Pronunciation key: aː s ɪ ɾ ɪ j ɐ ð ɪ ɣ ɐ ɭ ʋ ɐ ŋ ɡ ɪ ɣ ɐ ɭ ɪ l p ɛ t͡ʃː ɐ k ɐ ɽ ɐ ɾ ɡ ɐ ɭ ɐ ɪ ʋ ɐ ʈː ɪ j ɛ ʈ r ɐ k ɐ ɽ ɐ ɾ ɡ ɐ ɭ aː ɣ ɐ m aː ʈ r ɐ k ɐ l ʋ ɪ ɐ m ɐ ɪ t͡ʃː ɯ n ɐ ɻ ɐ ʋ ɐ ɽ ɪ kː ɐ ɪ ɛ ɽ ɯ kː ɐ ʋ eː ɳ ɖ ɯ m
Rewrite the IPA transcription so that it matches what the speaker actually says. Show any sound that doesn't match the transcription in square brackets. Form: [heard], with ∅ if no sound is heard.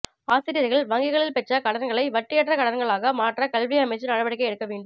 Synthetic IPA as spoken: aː s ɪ ɾ ɪ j ɐ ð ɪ ɣ ɐ ɭ ʋ ɐ ŋ ɡ ɪ ɣ ɐ ɭ ɪ l p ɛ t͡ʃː ɐ k ɐ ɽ ɐ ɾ ɡ ɐ ɭ ɐ ɪ ʋ ɐ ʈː ɪ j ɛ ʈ r ɐ k ɐ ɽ ɐ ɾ ɡ ɐ ɭ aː ɣ ɐ m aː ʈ r ɐ k ɐ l ʋ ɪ ɐ m ɐ ɪ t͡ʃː ɯ n ɐ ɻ ɐ ʋ ɐ ɽ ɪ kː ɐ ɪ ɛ ɽ ɯ kː ɐ ʋ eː ɳ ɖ ɯ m